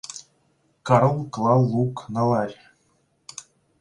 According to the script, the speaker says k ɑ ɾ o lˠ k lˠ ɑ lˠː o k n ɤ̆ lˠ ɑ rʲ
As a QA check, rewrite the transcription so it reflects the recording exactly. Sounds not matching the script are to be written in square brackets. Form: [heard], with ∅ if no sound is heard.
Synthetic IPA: k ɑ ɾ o lˠ k lˠ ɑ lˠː [u] k n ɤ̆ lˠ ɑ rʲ